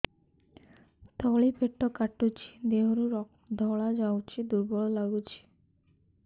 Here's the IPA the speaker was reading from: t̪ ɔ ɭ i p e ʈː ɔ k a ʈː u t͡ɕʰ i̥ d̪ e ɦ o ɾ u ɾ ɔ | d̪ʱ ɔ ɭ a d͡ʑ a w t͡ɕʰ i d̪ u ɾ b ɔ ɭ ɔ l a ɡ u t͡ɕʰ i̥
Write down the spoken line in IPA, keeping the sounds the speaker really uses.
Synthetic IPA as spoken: t̪ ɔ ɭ i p e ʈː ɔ k a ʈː u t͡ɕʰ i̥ d̪ e ɦ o ɾ u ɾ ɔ | d̪ʱ ɔ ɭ a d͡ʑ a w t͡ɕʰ i d̪ u ɾ b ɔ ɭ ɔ l a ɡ u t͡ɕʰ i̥